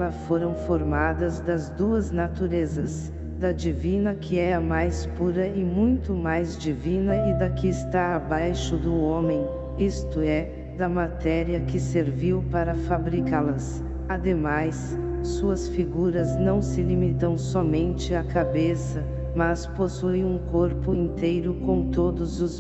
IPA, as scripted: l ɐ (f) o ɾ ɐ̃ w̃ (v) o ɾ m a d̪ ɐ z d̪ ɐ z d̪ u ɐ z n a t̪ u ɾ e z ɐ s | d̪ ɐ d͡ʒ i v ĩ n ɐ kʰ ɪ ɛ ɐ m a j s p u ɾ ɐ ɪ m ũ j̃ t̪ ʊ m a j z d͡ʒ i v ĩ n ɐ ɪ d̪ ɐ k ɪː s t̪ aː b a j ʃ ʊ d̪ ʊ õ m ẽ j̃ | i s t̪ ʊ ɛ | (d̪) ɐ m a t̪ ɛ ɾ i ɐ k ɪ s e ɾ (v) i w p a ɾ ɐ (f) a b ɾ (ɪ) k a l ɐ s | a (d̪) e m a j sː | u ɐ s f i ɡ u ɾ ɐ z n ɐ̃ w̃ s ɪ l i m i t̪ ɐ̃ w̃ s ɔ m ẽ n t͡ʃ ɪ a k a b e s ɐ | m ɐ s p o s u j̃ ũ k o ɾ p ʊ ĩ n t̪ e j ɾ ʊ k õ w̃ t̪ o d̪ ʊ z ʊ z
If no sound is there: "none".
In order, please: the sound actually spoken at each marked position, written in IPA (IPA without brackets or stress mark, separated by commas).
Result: f, f, d̪, v, f, i, d̪